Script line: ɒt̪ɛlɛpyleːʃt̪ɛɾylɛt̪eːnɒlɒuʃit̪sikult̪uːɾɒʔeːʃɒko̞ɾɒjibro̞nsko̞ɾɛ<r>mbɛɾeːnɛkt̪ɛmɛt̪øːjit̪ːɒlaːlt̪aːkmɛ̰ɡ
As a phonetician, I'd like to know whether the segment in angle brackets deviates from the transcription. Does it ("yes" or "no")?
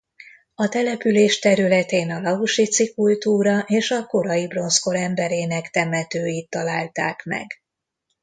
yes